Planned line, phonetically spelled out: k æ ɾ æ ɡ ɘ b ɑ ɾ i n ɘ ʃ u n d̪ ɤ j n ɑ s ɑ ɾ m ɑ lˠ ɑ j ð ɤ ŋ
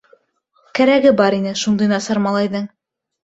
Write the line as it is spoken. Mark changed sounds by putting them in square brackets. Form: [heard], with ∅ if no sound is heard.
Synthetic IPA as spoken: k æ ɾ æ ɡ ɘ b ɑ ɾ i n ɘ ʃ u n d̪ ɤ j n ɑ s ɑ ɾ m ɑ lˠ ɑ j ð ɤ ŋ